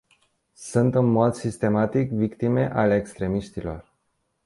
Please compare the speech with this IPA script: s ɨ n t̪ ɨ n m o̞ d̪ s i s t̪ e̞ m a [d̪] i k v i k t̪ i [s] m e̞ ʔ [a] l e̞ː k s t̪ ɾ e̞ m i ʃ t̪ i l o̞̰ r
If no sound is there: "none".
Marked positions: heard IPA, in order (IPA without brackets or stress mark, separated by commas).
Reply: t̪, none, a